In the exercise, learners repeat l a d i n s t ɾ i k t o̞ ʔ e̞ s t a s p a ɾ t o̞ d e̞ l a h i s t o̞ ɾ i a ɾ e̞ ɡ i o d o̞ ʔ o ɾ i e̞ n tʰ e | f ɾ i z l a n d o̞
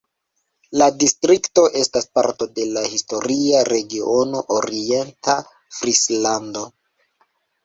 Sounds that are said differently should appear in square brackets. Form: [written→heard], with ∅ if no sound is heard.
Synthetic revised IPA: l a d i [n→∅] s t ɾ i k t o̞ ʔ e̞ s t a s p a ɾ t o̞ d e̞ l a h i s t o̞ ɾ i a ɾ e̞ ɡ i o [d→n] o̞ ʔ o ɾ i e̞ n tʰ [e→a] | f ɾ i [z→s] l a n d o̞